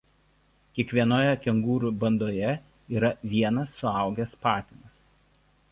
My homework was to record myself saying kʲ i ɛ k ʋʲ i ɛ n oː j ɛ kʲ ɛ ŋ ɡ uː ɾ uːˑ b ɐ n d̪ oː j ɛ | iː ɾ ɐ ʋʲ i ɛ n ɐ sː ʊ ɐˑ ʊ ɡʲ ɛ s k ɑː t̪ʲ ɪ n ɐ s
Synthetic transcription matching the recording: kʲ i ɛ k ʋʲ i ɛ n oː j ɛ kʲ ɛ ŋ ɡ uː ɾ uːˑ b ɐ n d̪ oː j ɛ | iː ɾ ɐ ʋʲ i ɛ n ɐ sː ʊ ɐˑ ʊ ɡʲ ɛ s p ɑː t̪ʲ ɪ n ɐ s